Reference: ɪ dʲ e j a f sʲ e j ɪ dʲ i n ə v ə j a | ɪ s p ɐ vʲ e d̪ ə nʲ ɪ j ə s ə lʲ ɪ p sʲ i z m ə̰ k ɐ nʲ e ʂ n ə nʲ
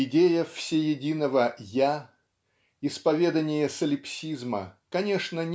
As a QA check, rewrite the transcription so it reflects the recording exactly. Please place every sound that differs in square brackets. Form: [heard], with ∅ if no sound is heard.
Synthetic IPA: ɪ dʲ e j [ə] f sʲ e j ɪ dʲ i n ə v ə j a | ɪ s p ɐ vʲ e d̪ ə nʲ ɪ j ə s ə lʲ ɪ p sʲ i z m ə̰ k ɐ nʲ e ʂ n ə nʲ